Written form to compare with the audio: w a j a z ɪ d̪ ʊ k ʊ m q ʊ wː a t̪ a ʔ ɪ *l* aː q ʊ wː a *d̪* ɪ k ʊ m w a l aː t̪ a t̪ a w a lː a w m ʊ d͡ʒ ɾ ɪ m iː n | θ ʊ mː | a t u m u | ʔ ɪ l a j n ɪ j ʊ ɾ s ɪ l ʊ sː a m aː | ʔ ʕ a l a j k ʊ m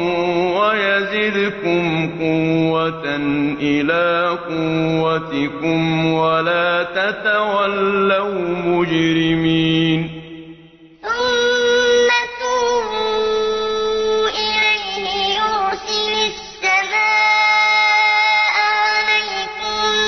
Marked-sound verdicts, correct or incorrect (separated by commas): correct, incorrect